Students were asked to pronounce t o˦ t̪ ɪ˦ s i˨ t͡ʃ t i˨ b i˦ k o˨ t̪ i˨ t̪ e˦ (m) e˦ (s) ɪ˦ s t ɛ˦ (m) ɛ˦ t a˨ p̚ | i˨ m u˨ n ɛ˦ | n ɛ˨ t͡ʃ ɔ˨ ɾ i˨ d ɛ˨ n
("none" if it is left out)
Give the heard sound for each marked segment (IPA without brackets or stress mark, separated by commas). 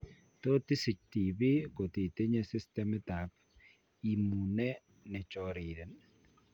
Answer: ɲ, s, m